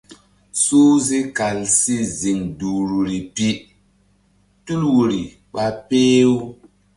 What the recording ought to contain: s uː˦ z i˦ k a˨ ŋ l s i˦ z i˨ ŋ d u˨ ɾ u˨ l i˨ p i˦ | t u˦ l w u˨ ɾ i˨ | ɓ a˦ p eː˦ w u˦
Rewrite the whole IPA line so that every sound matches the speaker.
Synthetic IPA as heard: s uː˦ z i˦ k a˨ l s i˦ z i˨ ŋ d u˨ ɾ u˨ ɾ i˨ p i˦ | t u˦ l w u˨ ɾ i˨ | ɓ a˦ p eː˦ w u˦